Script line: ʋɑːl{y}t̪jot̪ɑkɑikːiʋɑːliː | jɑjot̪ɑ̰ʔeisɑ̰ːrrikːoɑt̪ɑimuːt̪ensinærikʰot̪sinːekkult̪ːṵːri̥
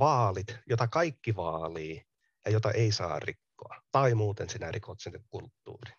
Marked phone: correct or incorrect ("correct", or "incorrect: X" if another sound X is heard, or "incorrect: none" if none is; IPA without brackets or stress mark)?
incorrect: i